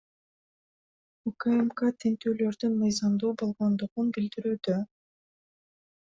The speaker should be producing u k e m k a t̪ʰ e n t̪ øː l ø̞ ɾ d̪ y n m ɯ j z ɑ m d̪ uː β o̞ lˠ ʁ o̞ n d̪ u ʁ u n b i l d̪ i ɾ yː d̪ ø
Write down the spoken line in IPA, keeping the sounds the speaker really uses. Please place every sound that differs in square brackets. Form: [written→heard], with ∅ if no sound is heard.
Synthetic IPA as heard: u k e m k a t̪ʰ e n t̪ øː l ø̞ ɾ d̪ y n m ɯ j z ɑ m d̪ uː [β→b] o̞ lˠ ʁ o̞ n d̪ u ʁ u n b i l d̪ i ɾ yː d̪ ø